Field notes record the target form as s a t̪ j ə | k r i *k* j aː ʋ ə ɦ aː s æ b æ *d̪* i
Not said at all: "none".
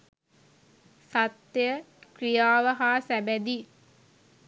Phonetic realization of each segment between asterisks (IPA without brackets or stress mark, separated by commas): none, d̪